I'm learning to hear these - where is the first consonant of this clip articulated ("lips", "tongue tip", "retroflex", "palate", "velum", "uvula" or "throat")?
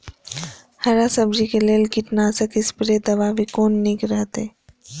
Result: throat